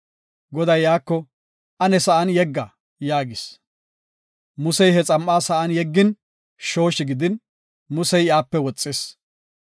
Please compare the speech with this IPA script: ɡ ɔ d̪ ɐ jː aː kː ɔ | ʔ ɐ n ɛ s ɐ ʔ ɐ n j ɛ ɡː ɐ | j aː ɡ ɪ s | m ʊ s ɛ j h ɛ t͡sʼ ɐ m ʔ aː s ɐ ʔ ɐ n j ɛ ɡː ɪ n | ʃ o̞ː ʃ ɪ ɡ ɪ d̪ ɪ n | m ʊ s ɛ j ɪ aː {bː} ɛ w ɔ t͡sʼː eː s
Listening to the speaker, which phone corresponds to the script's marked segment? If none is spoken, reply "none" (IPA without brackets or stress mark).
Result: pː